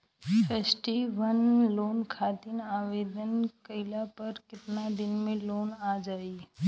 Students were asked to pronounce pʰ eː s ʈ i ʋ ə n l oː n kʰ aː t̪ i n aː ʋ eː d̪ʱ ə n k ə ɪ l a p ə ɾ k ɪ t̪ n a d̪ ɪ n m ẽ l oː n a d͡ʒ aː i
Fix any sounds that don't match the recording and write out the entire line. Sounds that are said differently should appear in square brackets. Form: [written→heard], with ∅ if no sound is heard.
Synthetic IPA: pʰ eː s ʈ i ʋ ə n l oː n kʰ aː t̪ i n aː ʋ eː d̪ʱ ə n k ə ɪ l a p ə ɾ k ɪ t̪ n a d̪ ɪ n m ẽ l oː n a d͡ʒ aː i